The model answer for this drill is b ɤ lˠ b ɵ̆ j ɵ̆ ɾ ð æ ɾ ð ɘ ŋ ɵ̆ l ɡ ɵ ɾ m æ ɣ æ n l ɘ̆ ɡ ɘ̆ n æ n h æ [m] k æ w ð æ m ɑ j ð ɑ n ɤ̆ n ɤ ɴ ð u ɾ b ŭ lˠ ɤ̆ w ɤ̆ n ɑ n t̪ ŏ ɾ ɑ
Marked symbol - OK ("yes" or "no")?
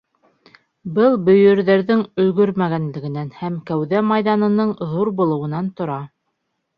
yes